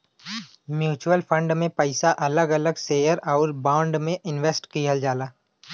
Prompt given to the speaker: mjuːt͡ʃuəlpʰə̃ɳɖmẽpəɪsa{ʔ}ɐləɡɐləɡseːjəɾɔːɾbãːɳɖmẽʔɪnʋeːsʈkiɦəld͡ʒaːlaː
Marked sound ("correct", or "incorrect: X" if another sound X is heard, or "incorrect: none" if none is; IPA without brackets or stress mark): correct